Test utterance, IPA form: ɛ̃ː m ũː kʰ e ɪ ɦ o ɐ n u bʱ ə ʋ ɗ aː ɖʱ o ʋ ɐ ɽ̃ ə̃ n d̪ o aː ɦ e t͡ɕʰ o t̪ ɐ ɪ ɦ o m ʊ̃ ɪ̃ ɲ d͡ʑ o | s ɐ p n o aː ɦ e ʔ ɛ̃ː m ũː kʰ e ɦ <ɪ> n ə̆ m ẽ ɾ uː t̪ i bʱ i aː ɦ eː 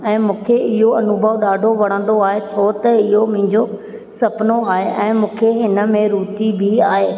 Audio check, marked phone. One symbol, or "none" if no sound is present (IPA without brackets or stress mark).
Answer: ɪ